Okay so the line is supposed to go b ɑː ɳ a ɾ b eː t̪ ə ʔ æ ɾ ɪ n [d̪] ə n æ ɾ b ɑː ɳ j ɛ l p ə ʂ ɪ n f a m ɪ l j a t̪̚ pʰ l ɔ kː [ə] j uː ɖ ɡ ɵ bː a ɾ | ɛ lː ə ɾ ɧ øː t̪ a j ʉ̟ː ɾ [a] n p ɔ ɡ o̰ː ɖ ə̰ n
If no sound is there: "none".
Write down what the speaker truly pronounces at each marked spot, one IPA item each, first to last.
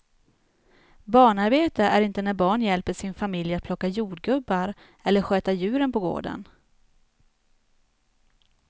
t̪, a, ə

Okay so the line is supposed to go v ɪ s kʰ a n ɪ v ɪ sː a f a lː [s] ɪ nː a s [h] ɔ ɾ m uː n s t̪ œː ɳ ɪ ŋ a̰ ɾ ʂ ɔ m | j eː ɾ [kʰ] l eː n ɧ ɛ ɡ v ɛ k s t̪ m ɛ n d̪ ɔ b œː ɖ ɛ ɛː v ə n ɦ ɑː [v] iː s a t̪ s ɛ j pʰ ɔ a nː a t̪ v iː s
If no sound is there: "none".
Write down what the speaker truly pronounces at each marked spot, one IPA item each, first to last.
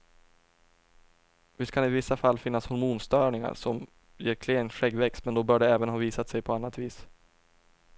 f, h, kʰ, v

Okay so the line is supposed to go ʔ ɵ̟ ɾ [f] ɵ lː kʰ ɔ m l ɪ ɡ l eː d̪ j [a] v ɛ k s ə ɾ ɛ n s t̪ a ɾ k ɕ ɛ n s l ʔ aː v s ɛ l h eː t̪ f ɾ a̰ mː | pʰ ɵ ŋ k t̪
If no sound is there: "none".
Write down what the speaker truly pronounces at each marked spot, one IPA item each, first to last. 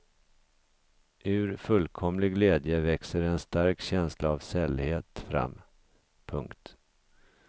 f, ə

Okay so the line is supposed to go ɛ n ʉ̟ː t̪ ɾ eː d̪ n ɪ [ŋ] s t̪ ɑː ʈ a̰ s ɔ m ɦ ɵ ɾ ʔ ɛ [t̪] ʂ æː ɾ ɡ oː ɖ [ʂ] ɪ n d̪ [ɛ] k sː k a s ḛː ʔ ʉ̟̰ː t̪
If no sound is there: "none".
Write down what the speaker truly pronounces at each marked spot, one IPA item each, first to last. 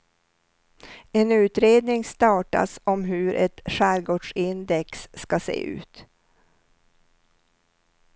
ŋ, t̪, ʂ, ɛ

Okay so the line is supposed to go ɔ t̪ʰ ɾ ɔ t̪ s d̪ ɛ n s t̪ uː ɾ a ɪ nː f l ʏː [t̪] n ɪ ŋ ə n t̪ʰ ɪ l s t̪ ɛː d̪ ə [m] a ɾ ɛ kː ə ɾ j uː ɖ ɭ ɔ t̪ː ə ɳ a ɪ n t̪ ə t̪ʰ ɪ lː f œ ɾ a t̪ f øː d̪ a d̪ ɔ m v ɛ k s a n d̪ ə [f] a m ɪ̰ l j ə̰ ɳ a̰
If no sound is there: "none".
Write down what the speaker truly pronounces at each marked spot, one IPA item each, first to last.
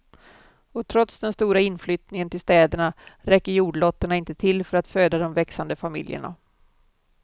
t̪, ɳ, f

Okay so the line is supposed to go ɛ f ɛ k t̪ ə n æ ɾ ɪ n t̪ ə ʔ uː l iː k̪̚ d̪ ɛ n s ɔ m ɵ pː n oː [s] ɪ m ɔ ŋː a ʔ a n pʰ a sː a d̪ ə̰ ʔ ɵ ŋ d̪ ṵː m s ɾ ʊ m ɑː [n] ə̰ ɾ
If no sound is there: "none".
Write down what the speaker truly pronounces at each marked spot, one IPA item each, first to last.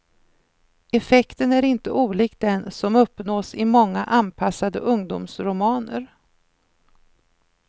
s, n

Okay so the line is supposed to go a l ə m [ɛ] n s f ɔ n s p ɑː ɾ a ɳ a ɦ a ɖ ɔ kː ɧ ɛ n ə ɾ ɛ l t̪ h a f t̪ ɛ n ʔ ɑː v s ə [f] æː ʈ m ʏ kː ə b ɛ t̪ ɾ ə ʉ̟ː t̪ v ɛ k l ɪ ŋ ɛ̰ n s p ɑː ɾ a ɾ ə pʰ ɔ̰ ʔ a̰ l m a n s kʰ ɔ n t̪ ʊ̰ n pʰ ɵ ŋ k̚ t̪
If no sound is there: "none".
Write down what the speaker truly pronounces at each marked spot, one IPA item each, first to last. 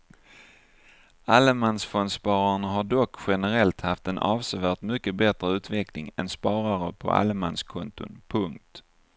a, v

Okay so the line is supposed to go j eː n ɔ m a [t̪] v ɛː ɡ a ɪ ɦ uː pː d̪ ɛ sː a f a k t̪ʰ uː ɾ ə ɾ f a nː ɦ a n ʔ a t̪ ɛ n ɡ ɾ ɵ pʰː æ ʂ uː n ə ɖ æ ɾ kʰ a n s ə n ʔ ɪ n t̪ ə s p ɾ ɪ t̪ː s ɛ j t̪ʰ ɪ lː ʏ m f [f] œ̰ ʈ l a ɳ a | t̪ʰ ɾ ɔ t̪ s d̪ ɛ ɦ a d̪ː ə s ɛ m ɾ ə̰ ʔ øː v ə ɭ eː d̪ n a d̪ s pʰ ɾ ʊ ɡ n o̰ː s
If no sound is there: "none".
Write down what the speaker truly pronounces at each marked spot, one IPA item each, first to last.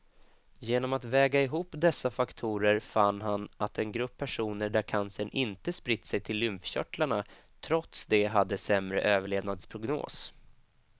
t̪, ɕ

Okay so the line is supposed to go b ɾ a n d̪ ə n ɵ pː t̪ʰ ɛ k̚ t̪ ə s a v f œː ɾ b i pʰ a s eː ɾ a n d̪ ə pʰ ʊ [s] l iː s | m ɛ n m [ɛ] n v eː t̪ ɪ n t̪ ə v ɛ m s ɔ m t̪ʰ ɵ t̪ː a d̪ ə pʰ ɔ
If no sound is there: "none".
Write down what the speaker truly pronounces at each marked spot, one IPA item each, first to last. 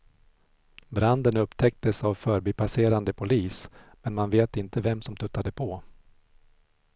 none, a

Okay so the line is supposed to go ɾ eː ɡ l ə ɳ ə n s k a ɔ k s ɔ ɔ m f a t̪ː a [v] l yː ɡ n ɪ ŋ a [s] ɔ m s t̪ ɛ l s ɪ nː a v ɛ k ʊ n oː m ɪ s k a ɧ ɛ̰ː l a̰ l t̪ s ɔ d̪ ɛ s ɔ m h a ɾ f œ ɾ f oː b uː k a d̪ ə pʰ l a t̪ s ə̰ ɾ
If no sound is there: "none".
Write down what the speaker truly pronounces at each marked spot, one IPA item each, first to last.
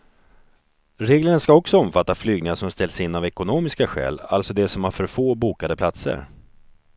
f, ʂ

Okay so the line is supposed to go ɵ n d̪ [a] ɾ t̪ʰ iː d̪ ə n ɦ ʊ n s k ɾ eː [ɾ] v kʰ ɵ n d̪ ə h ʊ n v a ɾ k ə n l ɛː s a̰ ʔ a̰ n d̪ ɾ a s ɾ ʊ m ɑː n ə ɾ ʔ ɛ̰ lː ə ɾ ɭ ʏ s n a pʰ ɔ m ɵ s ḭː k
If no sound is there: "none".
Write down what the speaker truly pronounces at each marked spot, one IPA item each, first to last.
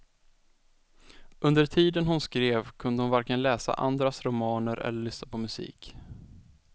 ə, none

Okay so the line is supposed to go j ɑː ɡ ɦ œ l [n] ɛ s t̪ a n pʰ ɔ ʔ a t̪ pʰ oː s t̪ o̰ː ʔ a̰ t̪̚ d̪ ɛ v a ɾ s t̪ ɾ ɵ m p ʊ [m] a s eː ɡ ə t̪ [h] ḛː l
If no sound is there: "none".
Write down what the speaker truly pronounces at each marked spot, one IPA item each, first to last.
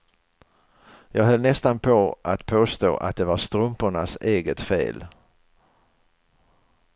n, ɳ, f

